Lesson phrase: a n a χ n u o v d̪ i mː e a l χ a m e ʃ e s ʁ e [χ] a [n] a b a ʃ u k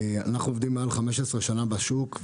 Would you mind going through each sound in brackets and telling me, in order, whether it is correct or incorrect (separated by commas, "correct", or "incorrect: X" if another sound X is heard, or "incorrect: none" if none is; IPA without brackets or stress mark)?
incorrect: ʃ, correct